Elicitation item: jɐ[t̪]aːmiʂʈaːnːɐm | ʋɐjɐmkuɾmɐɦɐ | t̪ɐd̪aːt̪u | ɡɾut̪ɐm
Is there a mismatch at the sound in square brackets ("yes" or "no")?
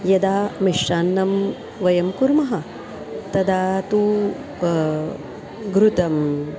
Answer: yes